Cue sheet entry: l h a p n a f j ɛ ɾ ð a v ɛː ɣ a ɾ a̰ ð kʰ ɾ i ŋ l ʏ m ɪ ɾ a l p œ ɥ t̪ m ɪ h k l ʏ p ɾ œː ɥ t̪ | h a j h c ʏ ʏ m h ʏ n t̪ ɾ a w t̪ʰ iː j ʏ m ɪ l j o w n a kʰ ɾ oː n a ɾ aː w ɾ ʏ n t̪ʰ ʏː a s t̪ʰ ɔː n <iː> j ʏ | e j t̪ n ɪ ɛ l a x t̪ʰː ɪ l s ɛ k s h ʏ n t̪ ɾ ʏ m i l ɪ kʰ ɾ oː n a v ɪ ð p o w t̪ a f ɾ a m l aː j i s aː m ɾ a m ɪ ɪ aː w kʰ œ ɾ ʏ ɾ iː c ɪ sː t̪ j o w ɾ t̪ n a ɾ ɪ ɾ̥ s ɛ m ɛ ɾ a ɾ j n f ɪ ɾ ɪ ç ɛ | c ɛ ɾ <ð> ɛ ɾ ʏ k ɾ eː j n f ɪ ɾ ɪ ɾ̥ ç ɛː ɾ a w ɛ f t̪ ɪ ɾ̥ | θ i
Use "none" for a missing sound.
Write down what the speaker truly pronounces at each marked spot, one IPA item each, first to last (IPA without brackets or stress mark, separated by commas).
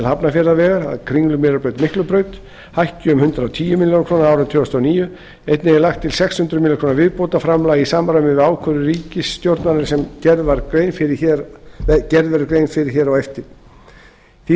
iː, ð